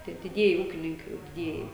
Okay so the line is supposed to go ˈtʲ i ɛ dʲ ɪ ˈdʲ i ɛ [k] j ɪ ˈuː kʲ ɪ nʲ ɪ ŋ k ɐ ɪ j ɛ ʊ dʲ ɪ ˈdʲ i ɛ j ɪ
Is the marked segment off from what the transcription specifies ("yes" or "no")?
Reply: yes